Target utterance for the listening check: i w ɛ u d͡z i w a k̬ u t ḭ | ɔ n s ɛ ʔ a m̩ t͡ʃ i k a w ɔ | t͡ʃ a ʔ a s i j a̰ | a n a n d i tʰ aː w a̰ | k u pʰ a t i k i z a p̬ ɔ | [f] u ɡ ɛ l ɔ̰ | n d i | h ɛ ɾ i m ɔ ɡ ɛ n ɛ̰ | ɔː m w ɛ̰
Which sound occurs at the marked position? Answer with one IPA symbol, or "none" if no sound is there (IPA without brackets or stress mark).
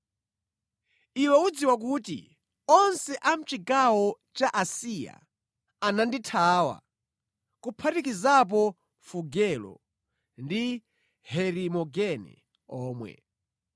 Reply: f